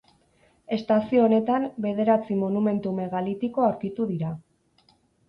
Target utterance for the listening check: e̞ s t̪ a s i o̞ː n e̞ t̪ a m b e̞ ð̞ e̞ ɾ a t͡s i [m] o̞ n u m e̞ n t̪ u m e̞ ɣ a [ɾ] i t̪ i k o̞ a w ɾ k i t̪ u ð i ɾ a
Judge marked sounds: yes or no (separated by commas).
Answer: yes, no